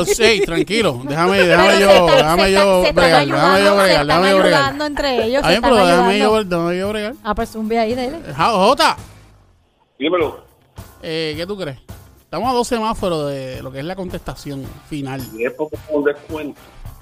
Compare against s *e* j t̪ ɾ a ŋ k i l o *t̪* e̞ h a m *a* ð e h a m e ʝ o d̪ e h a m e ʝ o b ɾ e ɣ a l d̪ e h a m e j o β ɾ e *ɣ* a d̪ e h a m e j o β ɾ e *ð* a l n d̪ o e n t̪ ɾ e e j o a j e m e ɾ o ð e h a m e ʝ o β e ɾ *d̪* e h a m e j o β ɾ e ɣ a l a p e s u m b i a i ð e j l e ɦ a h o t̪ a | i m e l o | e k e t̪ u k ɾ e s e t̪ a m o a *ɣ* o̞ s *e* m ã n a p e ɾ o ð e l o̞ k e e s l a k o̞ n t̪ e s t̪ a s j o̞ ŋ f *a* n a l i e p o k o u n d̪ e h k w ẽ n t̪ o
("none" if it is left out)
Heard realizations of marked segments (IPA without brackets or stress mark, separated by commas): e, d̪, e, ɣ, ɣ, d̪, ð, e, i